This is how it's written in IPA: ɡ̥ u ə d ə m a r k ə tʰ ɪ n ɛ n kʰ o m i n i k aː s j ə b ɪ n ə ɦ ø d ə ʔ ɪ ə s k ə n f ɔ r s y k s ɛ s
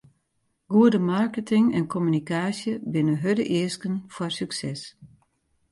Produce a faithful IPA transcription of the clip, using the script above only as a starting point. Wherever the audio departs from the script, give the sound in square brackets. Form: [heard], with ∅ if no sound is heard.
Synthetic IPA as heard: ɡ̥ u ə d ə m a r k ə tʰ ɪ [ŋ] ɛ n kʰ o m [y] n i k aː s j ə b ɪ n ə ɦ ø d ə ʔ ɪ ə s k ə n f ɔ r s y k s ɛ s